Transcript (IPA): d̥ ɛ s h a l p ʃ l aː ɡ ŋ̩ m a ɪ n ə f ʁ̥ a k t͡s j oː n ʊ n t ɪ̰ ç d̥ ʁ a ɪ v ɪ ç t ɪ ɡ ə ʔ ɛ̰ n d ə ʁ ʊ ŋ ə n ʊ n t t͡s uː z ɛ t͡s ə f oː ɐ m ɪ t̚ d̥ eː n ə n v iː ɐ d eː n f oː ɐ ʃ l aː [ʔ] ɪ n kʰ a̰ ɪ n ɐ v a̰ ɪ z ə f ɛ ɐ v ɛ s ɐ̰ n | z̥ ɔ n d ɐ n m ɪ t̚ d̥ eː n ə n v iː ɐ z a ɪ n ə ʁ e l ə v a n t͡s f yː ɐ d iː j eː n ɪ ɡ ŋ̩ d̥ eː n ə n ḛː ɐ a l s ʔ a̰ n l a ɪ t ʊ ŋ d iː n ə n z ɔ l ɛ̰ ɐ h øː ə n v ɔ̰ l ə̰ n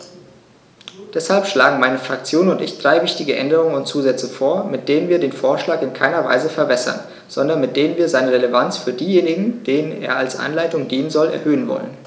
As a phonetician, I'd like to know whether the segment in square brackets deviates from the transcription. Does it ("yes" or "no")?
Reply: yes